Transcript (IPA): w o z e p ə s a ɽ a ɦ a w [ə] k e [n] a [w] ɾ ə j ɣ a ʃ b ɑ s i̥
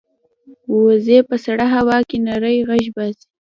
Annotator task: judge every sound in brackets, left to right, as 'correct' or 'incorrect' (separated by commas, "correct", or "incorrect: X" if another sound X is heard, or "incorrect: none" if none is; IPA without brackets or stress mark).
incorrect: ɑ, correct, incorrect: none